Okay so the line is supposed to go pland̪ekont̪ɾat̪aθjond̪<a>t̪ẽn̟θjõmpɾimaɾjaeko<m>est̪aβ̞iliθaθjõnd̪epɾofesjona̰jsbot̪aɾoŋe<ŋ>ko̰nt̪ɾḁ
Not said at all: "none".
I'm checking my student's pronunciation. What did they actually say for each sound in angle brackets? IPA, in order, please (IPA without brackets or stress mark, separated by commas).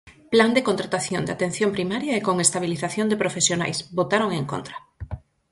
a, ŋ, ŋ